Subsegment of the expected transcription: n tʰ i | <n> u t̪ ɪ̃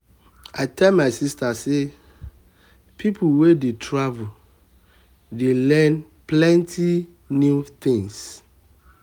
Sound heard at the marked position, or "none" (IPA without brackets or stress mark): n